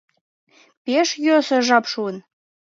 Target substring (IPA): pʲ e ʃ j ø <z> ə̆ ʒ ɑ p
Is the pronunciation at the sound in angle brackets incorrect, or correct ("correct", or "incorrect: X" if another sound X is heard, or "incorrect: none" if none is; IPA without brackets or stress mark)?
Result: incorrect: s